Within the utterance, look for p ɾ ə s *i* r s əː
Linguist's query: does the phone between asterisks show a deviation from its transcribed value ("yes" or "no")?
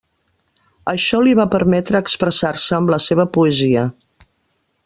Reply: yes